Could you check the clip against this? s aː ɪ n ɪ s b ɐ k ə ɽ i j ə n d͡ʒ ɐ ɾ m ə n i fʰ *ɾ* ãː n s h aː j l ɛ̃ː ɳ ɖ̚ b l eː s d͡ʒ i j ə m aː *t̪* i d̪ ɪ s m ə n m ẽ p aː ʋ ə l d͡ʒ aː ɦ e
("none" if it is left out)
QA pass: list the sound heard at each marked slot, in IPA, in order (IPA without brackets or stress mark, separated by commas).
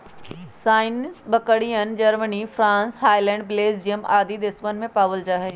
ɾ, d̪